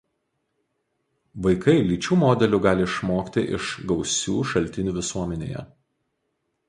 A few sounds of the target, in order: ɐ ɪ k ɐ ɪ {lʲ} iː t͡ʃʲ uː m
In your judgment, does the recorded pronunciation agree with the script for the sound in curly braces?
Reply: yes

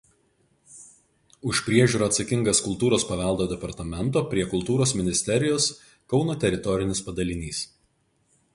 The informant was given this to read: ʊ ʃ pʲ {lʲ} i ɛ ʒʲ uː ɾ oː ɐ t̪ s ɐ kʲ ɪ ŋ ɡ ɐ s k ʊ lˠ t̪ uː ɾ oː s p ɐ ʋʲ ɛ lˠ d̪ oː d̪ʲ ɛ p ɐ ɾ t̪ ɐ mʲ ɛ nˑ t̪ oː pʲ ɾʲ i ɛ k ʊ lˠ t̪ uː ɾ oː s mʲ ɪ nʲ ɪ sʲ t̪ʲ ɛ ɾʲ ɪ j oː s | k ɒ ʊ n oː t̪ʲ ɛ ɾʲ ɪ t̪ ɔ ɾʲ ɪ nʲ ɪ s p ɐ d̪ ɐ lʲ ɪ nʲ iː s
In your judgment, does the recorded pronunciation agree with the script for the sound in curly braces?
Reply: no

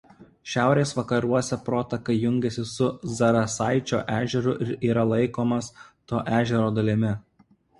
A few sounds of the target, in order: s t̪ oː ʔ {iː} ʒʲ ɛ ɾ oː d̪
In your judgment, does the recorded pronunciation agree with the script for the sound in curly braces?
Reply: no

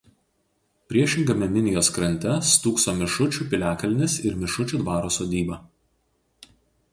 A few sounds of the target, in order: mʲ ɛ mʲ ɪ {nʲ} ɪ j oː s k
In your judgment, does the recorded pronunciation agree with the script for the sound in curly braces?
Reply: yes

